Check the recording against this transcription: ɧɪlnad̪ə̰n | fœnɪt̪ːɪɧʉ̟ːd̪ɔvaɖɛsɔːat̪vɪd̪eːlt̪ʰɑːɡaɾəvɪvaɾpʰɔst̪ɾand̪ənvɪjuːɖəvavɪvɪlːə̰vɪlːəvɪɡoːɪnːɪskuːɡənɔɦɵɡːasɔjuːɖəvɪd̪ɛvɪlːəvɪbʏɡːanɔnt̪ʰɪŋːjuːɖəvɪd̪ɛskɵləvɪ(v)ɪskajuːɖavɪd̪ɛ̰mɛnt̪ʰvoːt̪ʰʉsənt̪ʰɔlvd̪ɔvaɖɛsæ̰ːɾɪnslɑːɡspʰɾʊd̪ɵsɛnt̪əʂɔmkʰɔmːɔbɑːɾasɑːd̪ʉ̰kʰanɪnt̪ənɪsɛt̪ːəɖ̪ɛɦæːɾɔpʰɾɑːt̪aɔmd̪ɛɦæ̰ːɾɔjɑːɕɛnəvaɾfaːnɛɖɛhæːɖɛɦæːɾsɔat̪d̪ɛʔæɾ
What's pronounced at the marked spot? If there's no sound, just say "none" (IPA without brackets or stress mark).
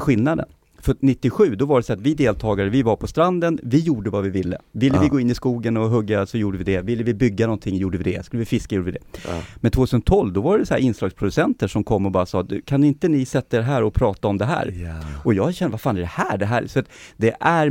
f